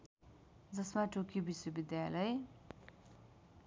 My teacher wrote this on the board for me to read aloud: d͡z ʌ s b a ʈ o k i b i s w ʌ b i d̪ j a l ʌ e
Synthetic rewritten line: d͡z ʌ s m a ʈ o k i b i s w ʌ b i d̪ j a l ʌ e